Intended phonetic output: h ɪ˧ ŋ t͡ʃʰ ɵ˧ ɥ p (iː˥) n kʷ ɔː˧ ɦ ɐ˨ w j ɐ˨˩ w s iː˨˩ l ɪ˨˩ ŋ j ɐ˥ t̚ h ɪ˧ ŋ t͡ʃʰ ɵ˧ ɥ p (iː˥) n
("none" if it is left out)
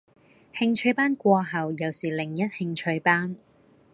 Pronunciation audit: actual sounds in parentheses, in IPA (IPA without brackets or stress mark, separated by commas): aː˥, aː˥